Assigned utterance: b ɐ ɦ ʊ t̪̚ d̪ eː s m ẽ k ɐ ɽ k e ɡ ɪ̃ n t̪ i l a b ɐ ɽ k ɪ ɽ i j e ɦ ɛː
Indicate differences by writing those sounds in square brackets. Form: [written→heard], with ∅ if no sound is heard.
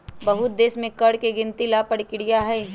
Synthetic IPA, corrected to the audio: b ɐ ɦ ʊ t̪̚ d̪ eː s m ẽ k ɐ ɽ k e ɡ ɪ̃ n t̪ i l a [b→p] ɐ ɽ k ɪ ɽ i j [e→a] ɦ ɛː